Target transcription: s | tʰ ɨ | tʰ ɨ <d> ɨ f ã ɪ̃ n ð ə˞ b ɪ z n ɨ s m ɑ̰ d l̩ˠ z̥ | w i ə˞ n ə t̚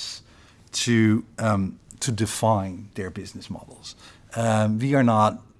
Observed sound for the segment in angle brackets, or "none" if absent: d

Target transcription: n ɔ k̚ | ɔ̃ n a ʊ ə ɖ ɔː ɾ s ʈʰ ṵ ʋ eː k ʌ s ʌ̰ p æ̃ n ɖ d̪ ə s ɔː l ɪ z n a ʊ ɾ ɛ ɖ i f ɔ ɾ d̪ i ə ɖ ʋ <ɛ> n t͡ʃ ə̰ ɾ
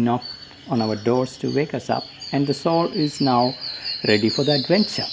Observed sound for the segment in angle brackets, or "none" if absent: ɛ̃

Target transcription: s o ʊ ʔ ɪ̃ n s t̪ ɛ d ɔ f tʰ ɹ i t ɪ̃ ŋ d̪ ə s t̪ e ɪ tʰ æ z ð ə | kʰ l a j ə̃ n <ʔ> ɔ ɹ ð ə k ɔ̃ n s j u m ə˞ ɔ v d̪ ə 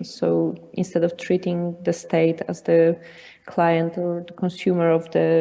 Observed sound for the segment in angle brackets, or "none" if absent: t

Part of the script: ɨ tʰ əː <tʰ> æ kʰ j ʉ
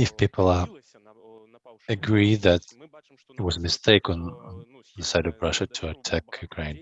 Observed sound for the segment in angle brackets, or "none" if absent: tʰ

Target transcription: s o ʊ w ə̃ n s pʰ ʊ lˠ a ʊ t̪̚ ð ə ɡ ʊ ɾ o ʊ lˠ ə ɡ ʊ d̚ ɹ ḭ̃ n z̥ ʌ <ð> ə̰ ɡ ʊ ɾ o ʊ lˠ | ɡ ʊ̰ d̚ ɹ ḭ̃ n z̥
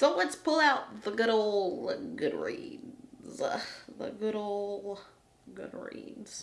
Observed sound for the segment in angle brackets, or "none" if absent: ð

